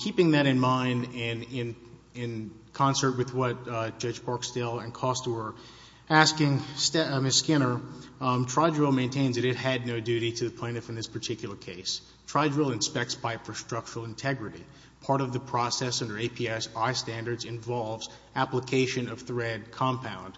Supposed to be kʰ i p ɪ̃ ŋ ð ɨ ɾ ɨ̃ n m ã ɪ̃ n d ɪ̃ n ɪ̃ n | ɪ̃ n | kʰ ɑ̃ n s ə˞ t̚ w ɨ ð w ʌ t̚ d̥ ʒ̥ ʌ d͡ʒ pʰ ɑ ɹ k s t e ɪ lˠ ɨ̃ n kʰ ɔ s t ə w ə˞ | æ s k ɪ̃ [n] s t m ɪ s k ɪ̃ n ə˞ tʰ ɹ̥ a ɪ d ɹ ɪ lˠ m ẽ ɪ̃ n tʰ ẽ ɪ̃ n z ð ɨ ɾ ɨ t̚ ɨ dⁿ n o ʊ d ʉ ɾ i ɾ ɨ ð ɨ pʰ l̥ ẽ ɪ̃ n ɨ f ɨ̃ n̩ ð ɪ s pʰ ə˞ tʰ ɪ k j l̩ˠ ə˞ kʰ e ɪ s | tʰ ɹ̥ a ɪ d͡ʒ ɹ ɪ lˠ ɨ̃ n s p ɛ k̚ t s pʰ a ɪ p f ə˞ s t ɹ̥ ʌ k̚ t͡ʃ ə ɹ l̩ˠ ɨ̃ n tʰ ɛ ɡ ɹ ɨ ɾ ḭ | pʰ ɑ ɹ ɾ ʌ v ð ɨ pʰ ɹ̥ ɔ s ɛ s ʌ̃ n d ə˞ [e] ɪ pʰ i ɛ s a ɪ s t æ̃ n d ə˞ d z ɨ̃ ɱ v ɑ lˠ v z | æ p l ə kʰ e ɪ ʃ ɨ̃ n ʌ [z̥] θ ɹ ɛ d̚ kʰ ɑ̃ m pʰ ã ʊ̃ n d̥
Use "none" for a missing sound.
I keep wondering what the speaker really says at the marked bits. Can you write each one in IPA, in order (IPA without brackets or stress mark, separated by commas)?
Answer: ŋ, e, v̥